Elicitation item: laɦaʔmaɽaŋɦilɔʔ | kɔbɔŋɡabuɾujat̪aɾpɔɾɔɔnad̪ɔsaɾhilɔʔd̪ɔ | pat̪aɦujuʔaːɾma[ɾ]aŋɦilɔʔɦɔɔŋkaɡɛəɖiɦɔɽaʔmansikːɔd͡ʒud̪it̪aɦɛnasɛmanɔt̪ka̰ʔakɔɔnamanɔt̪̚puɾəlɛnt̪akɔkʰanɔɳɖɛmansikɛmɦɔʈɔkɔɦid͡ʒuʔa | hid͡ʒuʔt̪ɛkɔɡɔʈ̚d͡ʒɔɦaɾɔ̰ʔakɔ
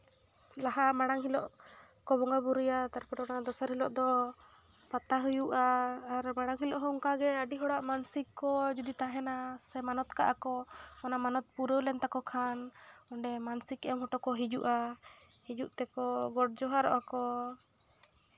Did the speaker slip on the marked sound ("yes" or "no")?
yes